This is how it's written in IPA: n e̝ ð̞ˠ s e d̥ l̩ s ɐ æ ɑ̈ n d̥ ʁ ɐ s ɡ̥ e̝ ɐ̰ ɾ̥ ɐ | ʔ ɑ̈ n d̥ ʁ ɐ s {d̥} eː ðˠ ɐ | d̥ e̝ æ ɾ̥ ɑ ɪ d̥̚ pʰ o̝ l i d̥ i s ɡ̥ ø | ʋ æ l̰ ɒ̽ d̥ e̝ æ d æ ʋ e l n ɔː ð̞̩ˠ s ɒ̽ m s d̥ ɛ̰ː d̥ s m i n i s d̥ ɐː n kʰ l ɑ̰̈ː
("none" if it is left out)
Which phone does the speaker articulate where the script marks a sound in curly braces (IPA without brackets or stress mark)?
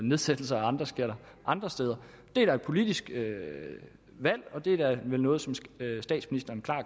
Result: d̥